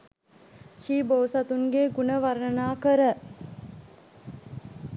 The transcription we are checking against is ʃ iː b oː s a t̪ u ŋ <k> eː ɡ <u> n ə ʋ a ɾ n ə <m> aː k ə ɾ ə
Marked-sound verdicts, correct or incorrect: incorrect: ɡ, correct, incorrect: n

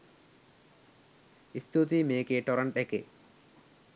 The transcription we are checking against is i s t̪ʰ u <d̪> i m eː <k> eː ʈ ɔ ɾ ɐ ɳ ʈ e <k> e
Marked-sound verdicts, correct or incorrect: incorrect: t̪, correct, correct

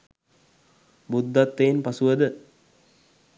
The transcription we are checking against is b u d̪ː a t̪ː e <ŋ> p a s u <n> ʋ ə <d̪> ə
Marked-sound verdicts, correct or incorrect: incorrect: n, incorrect: none, correct

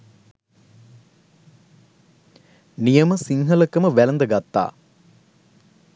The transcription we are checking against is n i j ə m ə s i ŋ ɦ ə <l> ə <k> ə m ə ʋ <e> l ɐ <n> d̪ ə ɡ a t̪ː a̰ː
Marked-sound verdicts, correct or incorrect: correct, correct, incorrect: æ, correct

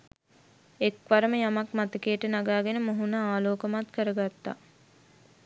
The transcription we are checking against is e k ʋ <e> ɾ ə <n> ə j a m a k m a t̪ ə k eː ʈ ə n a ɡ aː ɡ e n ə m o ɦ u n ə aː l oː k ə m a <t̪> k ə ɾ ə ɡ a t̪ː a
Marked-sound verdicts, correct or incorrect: incorrect: a, incorrect: m, correct

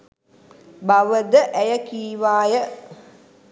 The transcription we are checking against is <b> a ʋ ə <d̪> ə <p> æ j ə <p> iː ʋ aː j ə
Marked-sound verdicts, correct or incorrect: correct, correct, incorrect: ʔ, incorrect: k

